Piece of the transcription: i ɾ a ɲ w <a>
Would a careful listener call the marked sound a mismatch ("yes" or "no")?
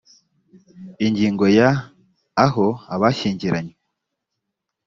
yes